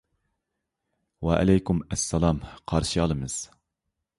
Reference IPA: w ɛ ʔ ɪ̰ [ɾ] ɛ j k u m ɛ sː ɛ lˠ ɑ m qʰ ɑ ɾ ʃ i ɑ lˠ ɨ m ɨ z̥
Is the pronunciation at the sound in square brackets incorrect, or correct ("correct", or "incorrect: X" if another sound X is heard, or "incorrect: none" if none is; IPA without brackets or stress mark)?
incorrect: l